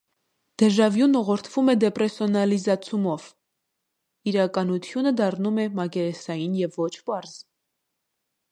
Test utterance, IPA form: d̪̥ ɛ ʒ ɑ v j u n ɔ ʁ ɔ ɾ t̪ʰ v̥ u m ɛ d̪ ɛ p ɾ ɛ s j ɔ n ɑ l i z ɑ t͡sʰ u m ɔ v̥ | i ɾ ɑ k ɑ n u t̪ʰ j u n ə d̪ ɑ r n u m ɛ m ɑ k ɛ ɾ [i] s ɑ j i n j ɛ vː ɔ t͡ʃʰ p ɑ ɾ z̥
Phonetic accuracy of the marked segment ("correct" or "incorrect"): incorrect